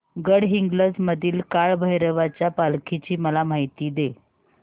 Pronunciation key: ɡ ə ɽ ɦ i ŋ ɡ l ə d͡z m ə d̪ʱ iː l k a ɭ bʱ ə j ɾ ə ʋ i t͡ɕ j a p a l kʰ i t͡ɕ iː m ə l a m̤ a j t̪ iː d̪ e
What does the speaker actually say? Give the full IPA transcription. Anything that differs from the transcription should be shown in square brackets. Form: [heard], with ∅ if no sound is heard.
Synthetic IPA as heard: ɡ ə ɽ ɦ i ŋ ɡ l ə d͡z m ə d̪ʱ iː l k a ɭ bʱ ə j ɾ ə ʋ [a] t͡ɕ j a p a l kʰ i t͡ɕ iː m ə l a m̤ a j t̪ iː d̪ e